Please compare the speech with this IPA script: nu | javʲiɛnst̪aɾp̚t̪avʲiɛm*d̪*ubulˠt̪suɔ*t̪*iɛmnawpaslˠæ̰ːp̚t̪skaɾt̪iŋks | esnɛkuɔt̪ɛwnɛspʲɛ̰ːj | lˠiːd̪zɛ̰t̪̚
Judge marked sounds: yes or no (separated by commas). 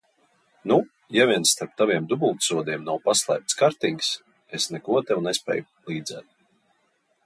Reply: yes, no